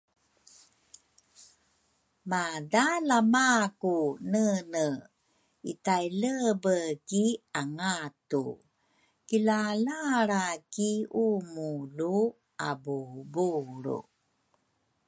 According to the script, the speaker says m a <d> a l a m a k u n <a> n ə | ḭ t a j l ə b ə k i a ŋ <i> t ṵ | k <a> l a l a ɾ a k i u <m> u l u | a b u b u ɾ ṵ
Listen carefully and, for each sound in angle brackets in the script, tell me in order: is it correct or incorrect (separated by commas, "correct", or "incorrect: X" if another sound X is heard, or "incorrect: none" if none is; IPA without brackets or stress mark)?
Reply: correct, incorrect: ə, incorrect: a, incorrect: i, correct